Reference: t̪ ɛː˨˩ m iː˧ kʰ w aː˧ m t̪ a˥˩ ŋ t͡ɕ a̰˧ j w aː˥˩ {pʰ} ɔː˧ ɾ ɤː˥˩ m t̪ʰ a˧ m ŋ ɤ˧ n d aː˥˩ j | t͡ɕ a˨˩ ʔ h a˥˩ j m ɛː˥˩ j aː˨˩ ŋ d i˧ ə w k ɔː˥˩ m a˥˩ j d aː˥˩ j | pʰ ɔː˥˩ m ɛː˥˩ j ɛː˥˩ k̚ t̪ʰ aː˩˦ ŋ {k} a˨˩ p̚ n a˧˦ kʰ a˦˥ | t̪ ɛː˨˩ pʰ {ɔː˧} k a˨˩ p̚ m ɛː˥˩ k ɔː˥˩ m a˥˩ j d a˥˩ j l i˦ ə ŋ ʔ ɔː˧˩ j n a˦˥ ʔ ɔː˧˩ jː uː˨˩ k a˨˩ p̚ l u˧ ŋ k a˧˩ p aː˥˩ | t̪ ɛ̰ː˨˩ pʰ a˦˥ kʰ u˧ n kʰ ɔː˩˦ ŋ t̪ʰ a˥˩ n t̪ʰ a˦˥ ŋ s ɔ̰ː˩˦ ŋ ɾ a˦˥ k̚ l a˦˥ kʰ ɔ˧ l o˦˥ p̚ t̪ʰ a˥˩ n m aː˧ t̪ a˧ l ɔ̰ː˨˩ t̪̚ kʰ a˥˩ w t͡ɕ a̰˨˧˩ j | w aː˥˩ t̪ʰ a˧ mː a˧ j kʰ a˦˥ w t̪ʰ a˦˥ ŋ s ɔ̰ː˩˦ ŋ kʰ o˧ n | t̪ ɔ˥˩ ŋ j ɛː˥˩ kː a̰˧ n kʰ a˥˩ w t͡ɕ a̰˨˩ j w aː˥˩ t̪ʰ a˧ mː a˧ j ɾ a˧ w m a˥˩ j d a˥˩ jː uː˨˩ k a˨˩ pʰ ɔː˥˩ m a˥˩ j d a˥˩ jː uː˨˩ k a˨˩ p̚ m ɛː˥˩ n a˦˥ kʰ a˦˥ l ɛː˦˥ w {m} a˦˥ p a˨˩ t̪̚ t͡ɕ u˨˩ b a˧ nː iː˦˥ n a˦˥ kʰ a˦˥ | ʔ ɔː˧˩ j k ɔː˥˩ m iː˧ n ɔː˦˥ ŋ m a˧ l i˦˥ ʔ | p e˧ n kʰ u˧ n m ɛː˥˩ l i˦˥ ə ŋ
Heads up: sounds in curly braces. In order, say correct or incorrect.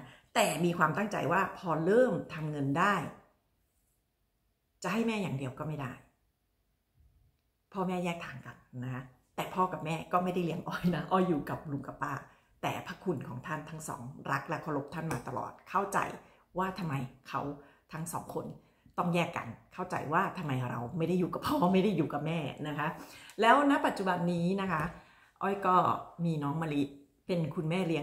correct, correct, incorrect, incorrect

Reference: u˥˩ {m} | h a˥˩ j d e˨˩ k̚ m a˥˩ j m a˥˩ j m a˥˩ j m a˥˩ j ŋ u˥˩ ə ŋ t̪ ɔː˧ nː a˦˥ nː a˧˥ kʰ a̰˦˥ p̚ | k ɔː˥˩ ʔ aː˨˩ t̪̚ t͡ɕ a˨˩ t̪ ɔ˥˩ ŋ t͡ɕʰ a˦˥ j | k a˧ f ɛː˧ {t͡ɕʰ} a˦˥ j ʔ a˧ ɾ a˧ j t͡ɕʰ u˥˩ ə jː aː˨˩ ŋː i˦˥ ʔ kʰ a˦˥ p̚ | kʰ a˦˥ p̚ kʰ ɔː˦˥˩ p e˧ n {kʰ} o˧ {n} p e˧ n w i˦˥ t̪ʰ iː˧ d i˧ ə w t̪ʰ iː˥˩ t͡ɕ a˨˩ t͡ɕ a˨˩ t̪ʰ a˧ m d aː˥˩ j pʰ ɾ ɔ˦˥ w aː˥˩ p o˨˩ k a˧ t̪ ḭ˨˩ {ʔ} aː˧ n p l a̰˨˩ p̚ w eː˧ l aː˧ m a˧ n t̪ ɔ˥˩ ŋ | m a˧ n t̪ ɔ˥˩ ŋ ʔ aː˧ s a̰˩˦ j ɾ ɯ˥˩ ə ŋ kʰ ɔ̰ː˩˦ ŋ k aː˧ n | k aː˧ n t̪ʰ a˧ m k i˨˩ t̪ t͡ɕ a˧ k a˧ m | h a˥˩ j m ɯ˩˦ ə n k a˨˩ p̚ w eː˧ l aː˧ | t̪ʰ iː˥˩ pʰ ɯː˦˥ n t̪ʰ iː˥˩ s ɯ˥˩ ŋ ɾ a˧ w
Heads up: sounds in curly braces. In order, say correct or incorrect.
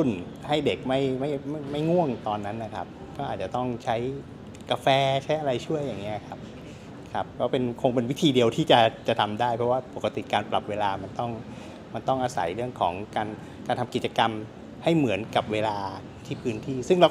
incorrect, correct, correct, incorrect, incorrect

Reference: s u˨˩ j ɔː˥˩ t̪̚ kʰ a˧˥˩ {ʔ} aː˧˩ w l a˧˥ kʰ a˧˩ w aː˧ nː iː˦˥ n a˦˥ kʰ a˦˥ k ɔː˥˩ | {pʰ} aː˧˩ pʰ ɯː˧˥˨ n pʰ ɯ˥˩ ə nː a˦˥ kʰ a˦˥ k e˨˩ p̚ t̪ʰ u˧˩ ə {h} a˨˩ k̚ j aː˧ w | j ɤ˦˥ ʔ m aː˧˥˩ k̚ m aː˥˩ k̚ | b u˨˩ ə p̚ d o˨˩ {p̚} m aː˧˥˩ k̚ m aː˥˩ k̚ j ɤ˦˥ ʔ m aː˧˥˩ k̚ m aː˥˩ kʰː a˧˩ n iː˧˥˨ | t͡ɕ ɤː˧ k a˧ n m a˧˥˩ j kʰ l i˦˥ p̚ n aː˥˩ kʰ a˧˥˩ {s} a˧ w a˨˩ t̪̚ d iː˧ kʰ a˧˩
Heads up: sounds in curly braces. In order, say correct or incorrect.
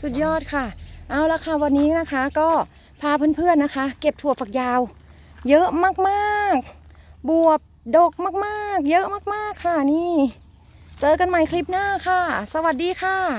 correct, correct, incorrect, incorrect, correct

